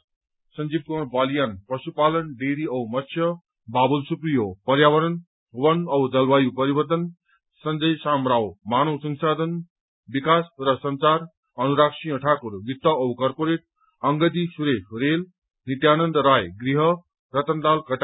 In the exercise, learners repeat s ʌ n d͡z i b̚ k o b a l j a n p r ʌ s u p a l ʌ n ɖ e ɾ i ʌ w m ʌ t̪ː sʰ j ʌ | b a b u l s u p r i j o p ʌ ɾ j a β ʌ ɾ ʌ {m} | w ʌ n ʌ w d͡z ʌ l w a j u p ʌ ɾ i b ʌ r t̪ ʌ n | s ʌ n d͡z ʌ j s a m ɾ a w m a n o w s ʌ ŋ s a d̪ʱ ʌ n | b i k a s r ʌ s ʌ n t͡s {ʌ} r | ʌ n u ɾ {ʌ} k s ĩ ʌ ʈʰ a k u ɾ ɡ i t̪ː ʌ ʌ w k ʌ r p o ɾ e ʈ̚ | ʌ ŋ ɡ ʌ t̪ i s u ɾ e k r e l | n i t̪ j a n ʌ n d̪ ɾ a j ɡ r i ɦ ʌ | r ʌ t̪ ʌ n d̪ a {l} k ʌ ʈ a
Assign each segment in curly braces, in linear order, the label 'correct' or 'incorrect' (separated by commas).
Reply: incorrect, incorrect, incorrect, correct